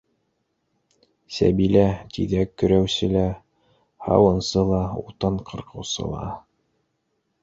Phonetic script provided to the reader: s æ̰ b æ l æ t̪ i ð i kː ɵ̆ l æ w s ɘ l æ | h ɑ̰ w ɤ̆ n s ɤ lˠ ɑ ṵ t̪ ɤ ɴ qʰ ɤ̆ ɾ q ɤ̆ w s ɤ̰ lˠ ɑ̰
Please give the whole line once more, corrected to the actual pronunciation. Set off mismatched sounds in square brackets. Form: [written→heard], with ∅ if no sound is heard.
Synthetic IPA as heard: s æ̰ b [æ→i] l æ t̪ i ð [i→æ] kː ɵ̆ [l→ɾ] æ w s ɘ l æ | h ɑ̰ w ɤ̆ n s ɤ lˠ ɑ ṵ t̪ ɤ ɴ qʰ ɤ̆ ɾ q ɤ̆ w s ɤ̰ lˠ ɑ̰